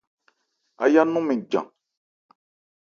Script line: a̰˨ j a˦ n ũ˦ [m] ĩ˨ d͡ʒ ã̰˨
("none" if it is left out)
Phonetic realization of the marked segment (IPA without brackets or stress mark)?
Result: m